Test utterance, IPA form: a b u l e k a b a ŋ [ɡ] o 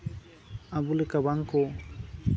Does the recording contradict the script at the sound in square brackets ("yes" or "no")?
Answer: yes